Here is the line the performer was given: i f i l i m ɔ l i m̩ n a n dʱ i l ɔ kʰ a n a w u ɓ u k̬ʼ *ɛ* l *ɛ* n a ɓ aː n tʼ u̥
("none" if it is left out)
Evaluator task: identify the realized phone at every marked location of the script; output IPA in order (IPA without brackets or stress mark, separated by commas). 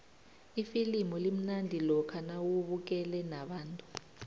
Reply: ɛ, ɛ